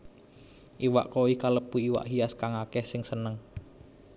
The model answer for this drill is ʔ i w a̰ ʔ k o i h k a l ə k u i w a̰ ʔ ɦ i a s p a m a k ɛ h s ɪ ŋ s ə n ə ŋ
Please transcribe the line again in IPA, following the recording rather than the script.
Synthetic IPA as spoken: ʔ i w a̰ ʔ k o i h k a l ə p u i w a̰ ʔ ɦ i a s k a ŋ a k ɛ h s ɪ ŋ s ə n ə ŋ